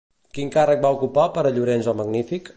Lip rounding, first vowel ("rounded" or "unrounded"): unrounded